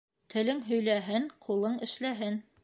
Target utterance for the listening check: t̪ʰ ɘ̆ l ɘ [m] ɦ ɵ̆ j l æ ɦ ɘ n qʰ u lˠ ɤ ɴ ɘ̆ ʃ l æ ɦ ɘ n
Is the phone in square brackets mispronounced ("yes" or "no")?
yes